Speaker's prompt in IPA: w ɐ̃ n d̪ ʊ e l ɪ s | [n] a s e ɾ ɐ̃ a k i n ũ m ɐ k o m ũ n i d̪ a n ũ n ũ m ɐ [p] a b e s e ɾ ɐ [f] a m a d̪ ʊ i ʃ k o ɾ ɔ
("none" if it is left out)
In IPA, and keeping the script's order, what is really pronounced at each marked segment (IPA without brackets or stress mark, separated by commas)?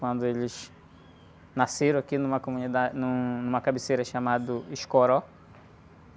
n, k, ʃ